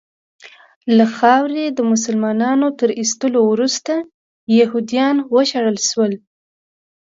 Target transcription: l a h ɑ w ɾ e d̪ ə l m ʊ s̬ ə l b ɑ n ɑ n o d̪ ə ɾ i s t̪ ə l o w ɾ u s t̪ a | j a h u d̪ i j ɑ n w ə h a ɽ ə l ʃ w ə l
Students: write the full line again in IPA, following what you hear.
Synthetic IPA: l a x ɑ w ɾ e d̪ ə m ʊ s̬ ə l m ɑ n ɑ n o t̪ ə ɾ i s t̪ ə l o w ɾ u s t̪ a | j a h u d̪ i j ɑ n w ə ʃ a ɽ ə l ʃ w ə l